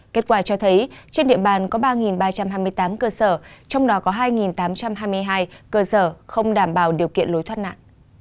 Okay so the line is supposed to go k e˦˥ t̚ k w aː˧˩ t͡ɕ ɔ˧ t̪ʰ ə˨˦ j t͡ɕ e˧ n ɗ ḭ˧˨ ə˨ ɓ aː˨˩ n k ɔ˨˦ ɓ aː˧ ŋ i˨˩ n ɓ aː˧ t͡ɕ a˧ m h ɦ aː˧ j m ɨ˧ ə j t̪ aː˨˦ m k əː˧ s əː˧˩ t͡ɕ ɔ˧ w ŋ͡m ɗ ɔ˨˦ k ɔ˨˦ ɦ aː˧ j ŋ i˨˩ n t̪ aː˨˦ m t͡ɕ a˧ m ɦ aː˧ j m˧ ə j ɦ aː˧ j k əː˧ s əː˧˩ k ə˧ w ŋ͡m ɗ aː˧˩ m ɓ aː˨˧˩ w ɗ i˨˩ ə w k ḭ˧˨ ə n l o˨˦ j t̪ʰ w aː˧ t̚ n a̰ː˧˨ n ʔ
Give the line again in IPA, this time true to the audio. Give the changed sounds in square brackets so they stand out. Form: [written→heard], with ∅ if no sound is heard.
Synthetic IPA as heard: k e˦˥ t̚ k w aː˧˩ t͡ɕ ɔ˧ t̪ʰ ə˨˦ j t͡ɕ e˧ n ɗ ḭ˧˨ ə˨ ɓ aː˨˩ n k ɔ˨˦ ɓ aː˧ ŋ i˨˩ n ɓ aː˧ t͡ɕ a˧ m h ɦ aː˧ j m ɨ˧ ə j t̪ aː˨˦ m k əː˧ s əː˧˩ t͡ɕ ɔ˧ w ŋ͡m ɗ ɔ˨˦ k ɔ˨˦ ɦ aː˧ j ŋ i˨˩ n t̪ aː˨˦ m t͡ɕ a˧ m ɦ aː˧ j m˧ ə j ɦ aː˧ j k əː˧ s əː˧˩ [k→x] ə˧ w ŋ͡m ɗ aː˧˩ m ɓ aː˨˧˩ w ɗ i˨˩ ə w k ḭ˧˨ ə n l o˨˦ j t̪ʰ w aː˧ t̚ n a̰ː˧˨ n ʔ